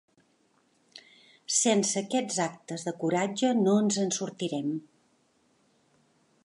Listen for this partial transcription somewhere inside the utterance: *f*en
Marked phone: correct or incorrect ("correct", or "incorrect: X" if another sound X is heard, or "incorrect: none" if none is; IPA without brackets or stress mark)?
incorrect: s